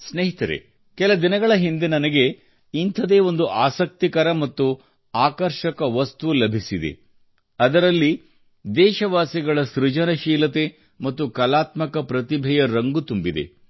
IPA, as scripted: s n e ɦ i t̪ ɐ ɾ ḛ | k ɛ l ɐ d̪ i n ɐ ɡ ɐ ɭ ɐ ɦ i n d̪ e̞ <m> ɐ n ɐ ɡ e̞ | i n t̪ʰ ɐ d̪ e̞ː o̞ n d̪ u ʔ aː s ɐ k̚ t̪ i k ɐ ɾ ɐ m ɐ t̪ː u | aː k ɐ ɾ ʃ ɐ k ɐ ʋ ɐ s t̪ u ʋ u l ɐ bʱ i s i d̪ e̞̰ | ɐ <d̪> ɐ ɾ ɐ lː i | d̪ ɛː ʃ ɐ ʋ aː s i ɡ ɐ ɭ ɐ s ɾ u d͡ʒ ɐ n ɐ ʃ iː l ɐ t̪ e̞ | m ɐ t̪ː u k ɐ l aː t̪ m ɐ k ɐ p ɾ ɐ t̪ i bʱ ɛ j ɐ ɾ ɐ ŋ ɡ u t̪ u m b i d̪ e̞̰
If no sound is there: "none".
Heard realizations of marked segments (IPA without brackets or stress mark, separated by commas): n, d̪